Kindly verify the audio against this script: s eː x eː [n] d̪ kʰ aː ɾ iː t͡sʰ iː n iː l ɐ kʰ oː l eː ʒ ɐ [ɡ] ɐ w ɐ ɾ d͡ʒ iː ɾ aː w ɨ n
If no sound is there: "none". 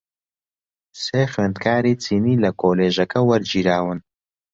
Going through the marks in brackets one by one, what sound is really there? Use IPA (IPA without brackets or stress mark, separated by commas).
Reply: n, k